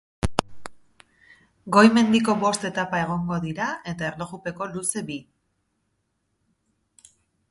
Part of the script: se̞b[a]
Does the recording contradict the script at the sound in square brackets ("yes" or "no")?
yes